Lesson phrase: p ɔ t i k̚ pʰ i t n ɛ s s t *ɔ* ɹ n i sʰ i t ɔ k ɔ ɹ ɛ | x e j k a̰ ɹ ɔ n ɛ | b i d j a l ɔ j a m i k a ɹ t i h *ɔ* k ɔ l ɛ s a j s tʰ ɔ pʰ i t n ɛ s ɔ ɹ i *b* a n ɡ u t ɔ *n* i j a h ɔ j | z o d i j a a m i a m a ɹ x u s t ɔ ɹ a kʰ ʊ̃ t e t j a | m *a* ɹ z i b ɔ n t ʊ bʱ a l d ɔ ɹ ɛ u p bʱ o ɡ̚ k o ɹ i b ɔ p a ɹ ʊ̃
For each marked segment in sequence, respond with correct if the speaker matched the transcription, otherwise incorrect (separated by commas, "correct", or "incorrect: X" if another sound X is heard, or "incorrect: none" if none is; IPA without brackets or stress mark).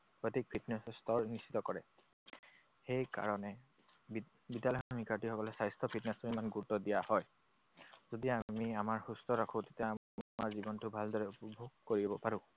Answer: correct, correct, incorrect: m, incorrect: d, correct